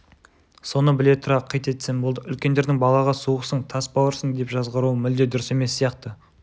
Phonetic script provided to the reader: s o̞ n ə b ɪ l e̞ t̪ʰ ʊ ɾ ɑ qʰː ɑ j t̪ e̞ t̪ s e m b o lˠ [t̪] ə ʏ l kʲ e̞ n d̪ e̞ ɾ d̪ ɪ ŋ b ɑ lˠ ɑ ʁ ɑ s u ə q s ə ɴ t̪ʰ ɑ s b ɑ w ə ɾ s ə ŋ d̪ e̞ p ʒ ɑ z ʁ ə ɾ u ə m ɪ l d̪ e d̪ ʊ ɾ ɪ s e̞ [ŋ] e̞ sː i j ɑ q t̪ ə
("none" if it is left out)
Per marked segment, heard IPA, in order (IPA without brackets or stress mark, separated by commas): d̪, m